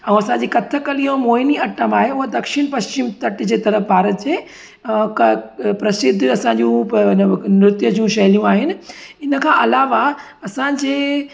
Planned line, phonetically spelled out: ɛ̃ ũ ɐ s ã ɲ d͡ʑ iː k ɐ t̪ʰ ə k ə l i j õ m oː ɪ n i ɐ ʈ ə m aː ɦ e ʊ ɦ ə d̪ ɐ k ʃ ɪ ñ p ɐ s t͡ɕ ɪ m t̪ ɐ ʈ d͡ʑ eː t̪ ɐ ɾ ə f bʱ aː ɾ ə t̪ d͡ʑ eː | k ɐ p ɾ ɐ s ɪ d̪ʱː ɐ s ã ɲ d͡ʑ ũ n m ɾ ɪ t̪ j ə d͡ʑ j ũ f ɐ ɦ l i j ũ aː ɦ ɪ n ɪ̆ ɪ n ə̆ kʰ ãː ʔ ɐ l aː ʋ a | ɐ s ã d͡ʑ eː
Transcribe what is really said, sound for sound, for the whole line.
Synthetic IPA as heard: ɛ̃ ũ ɐ s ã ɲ d͡ʑ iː k ɐ t̪ʰ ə k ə l i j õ m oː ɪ n i ɐ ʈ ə m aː ɦ e ʊ ɦ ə d̪ ɐ k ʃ ɪ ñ p ɐ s t͡ɕ ɪ m t̪ ɐ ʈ d͡ʑ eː t̪ ɐ ɾ ə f bʱ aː ɾ ə t̪ d͡ʑ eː | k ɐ p ɾ ɐ s ɪ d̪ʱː ɐ s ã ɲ d͡ʑ ũ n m ɾ ɪ t̪ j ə d͡ʑ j ũ ʃ ɐ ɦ l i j ũ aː ɦ ɪ n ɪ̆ ɪ n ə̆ kʰ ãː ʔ ɐ l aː ʋ a | ɐ s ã d͡ʑ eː